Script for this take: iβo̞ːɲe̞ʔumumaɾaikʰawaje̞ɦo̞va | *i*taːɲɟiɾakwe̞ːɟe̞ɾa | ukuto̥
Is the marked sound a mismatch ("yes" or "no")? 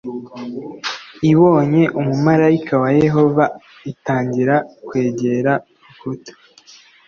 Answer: no